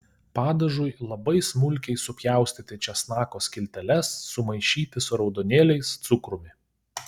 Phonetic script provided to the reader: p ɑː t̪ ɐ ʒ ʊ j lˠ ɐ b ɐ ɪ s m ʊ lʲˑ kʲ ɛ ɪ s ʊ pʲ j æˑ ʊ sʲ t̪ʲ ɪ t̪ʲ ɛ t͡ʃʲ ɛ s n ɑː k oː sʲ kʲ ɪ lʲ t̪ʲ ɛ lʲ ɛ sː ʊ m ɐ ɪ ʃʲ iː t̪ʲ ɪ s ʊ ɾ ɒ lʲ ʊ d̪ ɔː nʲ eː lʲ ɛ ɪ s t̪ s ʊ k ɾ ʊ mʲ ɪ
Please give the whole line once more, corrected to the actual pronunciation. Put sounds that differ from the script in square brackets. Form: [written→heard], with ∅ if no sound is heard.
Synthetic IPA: p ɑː [t̪→d̪] ɐ ʒ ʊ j lˠ ɐ b ɐ ɪ s m ʊ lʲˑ kʲ ɛ ɪ s ʊ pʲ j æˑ ʊ sʲ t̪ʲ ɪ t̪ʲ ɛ t͡ʃʲ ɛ s n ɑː k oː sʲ kʲ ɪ lʲ t̪ʲ ɛ lʲ ɛ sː ʊ m ɐ ɪ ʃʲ iː t̪ʲ ɪ s ʊ ɾ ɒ [lʲ→∅] ʊ d̪ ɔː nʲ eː lʲ ɛ ɪ s t̪ s ʊ k ɾ ʊ mʲ ɪ